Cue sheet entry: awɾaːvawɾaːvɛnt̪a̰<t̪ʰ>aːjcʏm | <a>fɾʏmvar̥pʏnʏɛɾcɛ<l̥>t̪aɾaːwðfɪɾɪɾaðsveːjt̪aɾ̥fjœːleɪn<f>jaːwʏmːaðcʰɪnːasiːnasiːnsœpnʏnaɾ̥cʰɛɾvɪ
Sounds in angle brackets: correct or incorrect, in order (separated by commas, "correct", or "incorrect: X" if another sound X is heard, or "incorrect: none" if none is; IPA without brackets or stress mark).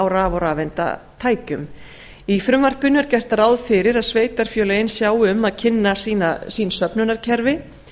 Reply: correct, incorrect: i, incorrect: r̥, incorrect: s